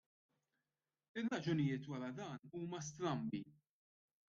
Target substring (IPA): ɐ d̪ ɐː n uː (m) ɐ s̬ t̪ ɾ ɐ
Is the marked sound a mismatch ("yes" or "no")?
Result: no